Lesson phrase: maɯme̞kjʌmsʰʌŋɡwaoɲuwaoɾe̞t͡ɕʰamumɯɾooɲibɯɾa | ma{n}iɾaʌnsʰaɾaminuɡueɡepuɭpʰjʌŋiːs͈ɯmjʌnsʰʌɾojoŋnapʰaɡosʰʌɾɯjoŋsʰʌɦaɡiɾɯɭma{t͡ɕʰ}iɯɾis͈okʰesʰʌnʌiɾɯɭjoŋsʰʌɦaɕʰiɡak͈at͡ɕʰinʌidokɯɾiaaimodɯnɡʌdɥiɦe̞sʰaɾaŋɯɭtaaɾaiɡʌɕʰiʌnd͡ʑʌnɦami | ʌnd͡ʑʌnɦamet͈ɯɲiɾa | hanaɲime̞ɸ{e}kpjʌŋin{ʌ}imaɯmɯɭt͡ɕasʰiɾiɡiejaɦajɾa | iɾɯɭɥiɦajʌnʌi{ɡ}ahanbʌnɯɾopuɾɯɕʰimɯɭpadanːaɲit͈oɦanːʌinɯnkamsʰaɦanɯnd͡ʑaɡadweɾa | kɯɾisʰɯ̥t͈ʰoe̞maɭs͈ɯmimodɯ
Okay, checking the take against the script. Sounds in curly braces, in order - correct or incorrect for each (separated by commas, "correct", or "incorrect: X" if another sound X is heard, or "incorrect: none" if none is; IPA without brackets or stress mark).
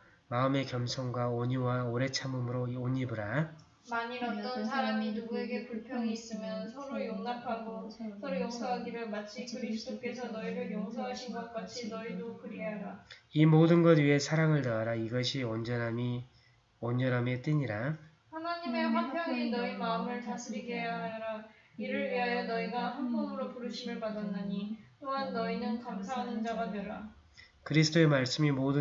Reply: incorrect: ɲ, correct, incorrect: a, correct, correct